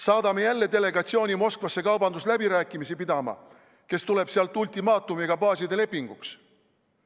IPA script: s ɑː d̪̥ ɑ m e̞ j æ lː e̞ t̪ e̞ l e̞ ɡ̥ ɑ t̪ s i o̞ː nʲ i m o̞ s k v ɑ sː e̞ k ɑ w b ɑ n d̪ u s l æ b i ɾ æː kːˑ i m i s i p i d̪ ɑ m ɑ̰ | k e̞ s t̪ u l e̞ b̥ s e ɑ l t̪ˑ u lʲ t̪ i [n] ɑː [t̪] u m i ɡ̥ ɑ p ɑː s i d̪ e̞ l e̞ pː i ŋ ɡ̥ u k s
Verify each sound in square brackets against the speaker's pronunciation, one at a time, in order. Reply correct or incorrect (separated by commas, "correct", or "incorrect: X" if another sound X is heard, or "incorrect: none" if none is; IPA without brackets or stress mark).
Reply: incorrect: m, correct